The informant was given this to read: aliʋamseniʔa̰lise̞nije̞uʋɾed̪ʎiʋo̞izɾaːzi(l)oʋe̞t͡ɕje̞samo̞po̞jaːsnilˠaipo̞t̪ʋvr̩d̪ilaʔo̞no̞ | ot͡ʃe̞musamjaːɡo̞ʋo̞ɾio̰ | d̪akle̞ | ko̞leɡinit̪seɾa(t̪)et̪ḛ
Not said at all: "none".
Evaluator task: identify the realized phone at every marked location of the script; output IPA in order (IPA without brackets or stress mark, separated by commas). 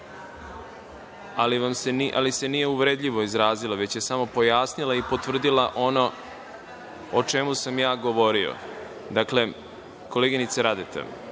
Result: l, d̪